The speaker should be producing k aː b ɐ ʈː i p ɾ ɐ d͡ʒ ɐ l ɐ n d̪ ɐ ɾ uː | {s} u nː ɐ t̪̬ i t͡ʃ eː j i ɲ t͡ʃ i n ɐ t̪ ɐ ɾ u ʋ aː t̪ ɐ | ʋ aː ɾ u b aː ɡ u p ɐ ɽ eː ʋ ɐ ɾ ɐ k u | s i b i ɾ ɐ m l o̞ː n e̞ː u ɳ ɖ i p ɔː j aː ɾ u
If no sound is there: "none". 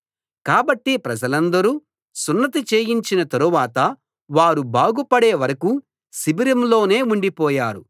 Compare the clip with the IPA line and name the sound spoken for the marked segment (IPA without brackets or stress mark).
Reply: s